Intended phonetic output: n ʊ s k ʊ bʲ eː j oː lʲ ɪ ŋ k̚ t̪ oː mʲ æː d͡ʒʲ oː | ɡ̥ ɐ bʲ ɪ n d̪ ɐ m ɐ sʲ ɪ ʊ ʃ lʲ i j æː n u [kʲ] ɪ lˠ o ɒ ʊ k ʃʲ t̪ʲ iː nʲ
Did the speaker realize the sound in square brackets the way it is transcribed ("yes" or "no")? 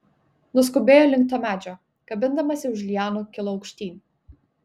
yes